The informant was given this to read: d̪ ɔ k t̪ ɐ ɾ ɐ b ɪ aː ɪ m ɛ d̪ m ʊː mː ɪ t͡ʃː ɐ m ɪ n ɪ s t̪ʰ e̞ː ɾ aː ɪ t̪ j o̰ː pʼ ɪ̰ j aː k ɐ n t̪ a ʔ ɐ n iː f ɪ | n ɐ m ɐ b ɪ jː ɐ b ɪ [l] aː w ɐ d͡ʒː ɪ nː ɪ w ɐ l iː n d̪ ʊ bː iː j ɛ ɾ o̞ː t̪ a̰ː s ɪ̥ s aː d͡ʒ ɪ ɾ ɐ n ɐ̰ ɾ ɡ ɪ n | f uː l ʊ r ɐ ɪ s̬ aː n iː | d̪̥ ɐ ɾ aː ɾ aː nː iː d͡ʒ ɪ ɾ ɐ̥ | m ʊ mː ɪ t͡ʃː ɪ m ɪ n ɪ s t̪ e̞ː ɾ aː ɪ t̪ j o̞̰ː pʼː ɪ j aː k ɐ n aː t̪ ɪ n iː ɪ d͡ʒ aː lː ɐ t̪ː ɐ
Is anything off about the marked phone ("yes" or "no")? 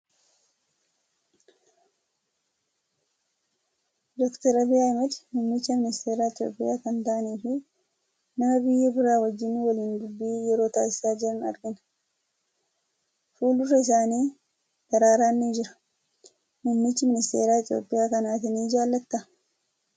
yes